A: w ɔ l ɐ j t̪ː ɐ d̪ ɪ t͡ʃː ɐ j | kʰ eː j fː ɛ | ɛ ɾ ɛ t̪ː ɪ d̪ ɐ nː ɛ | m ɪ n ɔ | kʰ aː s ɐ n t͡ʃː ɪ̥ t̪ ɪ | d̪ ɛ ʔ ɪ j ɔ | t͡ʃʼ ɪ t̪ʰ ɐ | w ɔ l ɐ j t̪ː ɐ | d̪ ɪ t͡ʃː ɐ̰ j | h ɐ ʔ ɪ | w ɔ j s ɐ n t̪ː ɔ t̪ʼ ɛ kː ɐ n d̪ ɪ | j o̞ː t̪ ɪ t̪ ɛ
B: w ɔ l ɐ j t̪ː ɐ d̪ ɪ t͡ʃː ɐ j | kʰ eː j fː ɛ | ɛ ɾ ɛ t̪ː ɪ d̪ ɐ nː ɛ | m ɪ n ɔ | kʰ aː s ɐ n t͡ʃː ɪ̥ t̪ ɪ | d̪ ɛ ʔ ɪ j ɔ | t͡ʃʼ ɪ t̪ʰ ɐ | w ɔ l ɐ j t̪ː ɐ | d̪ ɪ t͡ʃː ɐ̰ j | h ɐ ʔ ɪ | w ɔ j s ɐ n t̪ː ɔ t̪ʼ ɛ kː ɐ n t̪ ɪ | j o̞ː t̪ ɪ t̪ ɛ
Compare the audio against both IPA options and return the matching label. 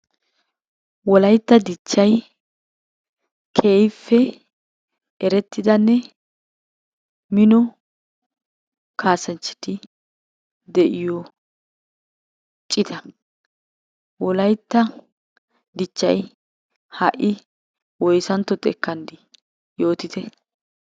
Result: A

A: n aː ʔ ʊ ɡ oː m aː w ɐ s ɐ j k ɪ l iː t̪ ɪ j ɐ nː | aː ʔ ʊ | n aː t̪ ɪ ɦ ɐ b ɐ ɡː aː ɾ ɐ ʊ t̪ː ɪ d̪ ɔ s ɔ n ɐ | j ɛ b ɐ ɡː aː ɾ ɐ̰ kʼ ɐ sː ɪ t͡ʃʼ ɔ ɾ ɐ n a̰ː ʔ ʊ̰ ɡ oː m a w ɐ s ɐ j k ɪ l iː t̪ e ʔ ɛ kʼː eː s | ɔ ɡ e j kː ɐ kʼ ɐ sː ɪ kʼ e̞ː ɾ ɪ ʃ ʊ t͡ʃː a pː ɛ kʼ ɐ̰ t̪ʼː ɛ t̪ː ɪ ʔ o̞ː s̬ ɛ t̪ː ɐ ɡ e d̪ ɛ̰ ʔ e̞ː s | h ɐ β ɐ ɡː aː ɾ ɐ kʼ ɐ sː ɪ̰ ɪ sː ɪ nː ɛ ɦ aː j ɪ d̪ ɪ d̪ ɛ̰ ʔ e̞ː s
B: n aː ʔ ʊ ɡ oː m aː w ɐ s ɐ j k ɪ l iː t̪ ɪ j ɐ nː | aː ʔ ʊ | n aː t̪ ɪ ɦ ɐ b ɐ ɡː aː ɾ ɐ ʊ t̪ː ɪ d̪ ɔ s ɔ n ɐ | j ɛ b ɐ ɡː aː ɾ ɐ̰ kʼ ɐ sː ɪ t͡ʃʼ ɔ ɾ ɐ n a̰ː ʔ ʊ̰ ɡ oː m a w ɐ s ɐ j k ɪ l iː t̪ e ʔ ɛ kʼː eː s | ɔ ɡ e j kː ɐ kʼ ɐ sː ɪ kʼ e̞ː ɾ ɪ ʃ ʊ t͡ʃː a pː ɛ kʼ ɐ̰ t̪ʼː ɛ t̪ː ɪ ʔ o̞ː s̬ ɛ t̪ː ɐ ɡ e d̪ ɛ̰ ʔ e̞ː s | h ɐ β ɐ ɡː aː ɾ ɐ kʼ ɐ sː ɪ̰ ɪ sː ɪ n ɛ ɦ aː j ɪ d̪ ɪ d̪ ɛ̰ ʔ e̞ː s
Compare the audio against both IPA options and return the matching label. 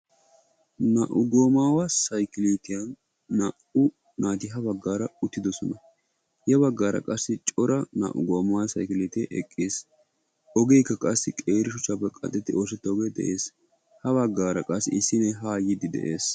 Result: B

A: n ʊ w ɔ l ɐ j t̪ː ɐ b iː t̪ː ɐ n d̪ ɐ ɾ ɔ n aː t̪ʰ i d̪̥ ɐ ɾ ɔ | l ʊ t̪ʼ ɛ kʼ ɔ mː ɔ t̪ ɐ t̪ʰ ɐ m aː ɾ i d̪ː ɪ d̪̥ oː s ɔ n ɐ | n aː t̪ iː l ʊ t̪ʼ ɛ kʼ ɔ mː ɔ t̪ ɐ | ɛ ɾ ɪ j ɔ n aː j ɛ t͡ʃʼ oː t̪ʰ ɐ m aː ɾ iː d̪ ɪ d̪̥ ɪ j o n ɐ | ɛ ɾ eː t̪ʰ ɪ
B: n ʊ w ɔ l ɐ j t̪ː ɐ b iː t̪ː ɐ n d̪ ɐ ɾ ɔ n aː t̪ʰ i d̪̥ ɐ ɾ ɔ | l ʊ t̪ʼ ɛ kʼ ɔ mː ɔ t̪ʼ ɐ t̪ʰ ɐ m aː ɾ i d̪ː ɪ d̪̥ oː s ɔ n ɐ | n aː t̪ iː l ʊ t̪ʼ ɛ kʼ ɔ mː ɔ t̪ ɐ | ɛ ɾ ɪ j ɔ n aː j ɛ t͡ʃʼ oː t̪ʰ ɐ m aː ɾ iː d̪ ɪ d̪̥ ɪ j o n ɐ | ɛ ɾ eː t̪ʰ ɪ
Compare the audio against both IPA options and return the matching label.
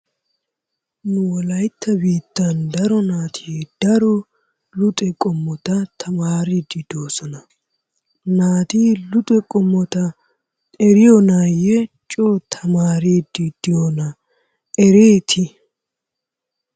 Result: A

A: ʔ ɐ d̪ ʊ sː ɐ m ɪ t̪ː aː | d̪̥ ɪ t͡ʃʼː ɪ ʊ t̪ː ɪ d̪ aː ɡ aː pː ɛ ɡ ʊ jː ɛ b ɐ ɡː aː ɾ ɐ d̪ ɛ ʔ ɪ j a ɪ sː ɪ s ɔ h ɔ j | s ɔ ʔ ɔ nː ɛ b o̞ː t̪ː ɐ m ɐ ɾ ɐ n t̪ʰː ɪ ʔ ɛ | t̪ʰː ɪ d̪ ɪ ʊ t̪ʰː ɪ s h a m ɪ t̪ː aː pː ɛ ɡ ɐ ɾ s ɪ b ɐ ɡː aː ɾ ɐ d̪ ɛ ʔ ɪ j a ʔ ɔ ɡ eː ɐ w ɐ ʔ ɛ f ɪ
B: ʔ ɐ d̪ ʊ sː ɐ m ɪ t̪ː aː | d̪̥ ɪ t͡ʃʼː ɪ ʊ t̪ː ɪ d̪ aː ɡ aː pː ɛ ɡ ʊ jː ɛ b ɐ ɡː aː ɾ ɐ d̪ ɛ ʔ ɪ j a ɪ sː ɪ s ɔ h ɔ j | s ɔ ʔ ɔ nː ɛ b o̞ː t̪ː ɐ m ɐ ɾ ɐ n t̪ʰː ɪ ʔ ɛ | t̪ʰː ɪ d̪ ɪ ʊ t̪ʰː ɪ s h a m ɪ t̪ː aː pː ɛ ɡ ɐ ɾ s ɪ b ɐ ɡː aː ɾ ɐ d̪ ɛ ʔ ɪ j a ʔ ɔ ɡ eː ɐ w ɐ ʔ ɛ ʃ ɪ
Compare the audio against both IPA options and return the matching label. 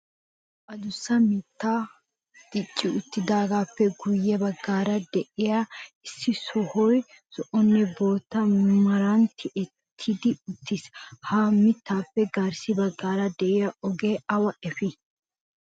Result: A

